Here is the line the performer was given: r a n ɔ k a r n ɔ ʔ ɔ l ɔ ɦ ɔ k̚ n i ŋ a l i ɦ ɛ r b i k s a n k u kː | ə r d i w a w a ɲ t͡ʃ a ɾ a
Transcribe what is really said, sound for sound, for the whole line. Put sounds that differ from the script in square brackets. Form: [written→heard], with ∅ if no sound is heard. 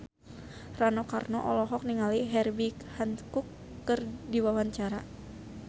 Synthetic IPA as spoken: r a n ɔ k a r n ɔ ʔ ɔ l ɔ ɦ ɔ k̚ n i ŋ a l i ɦ ɛ r b i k [s→h] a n k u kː | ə r d i w a w a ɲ t͡ʃ a ɾ a